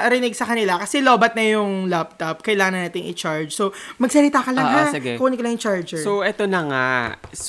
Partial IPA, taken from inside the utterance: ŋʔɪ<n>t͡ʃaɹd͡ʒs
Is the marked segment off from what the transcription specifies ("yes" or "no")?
yes